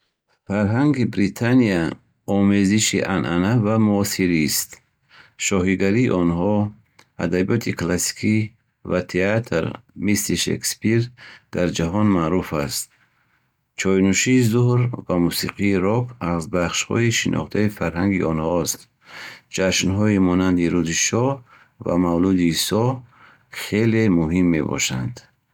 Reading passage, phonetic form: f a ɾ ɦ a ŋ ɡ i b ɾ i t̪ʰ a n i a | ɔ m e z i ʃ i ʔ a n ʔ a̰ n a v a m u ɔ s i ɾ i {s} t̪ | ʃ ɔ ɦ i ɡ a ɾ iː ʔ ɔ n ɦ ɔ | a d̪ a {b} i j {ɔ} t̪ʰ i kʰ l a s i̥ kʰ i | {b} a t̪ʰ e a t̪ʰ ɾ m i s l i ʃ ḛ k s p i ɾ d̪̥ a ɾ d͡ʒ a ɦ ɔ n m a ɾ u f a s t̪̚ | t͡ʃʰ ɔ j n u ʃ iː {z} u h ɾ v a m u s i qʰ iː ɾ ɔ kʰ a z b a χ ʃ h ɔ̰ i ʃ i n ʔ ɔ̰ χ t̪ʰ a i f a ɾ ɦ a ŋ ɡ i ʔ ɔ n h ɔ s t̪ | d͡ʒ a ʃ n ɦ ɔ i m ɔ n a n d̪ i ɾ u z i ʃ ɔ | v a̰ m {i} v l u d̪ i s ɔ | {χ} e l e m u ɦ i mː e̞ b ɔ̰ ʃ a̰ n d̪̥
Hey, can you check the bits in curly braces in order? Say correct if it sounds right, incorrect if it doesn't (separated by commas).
correct, correct, correct, incorrect, correct, incorrect, correct